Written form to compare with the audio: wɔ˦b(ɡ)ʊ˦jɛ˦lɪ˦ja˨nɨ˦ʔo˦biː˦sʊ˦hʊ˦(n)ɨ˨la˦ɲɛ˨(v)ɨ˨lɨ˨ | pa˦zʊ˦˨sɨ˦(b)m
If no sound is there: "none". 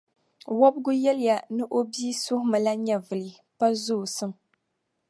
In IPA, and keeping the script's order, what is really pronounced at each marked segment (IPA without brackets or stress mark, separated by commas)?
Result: ɡ, m, v, none